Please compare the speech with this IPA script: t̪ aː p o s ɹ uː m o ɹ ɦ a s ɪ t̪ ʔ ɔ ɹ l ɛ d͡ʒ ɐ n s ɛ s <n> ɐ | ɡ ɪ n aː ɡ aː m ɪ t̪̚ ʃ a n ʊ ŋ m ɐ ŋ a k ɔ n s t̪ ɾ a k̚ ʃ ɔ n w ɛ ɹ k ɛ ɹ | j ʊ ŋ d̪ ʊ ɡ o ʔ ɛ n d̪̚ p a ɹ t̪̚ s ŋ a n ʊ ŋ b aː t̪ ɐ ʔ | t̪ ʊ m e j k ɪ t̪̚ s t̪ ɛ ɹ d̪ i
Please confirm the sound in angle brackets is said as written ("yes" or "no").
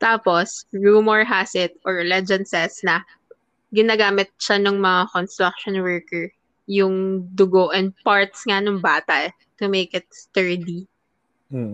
yes